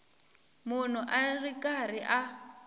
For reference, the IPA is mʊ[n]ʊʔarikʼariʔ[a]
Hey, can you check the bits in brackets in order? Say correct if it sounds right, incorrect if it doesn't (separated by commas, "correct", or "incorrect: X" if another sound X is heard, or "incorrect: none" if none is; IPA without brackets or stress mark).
correct, correct